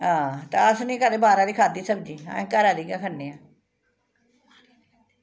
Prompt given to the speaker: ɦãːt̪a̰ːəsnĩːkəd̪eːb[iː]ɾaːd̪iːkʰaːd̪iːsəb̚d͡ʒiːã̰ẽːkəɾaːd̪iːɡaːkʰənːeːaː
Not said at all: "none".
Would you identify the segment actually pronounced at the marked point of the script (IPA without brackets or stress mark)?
aː